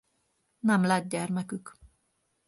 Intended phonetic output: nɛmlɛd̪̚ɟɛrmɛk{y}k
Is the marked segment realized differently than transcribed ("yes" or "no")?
no